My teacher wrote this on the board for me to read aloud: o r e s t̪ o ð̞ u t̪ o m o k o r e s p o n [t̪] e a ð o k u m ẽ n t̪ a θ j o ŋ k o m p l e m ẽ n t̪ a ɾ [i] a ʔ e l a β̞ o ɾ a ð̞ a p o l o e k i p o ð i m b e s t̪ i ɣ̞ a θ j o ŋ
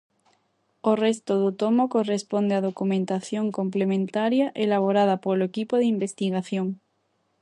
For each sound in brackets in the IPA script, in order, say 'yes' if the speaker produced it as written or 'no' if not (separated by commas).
no, no